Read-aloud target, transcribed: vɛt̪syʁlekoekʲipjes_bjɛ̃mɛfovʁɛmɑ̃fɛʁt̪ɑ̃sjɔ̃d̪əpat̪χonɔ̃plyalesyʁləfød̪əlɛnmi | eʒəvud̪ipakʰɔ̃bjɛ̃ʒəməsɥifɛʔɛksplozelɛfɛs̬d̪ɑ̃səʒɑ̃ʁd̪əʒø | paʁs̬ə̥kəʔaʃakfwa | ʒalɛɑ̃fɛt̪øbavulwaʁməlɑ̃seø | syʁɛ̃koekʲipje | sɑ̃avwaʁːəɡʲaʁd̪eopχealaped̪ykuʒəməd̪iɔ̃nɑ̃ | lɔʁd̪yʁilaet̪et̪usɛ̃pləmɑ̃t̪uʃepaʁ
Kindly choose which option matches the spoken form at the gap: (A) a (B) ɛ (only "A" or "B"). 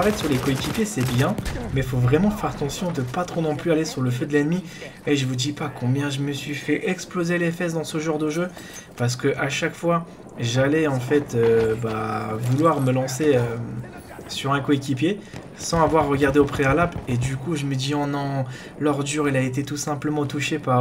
B